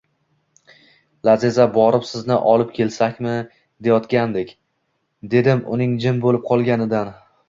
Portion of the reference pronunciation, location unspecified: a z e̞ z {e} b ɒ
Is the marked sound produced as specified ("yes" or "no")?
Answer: no